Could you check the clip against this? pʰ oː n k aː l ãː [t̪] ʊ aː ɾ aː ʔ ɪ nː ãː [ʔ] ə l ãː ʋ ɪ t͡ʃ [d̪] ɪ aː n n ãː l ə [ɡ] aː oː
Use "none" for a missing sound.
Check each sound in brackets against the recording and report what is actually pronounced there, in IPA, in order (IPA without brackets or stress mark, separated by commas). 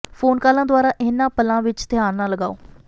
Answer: d̪, p, t̪, ɡ